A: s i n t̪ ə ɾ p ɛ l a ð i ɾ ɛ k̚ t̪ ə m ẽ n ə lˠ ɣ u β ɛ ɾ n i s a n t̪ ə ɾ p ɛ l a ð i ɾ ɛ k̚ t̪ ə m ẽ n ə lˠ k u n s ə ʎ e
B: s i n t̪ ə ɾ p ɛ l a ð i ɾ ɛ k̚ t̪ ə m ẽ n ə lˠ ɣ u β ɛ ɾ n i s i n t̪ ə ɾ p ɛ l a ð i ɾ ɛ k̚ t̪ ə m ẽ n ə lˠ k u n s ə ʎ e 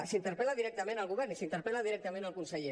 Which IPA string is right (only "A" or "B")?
B